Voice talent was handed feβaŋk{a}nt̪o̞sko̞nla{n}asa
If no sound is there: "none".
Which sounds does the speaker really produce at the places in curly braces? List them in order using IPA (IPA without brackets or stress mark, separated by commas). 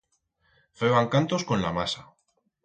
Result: a, m